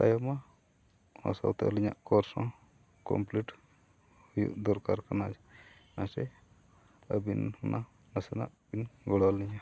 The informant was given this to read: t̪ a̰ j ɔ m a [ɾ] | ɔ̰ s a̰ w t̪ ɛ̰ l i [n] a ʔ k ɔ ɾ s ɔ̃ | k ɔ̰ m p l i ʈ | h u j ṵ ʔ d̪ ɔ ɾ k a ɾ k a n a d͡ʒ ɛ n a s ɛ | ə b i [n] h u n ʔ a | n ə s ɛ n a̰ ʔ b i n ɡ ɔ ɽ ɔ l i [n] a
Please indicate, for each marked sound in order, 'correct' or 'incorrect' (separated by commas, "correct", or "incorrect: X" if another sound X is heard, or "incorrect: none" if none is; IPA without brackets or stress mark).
incorrect: none, incorrect: ɲ, correct, incorrect: ɲ